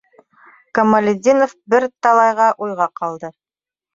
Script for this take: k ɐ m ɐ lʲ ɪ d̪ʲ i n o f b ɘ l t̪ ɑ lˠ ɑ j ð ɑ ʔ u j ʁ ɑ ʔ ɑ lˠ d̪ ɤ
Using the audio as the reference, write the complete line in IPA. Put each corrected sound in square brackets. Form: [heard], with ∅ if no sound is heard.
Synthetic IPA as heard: k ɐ m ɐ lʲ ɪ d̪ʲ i n o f b ɘ [ɾ] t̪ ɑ lˠ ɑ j [ʁ] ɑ ʔ u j ʁ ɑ [q] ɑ lˠ d̪ ɤ